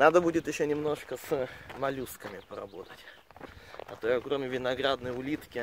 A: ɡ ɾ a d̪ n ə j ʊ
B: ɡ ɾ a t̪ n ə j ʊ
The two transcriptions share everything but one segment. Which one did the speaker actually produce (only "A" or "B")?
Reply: A